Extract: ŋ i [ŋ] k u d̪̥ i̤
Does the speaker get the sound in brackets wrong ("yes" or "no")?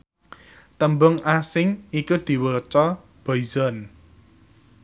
yes